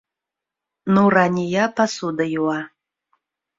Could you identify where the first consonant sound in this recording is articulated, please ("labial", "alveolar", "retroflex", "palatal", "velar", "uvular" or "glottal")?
alveolar